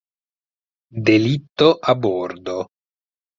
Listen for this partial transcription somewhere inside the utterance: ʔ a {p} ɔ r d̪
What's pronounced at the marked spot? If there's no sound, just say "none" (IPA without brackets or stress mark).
b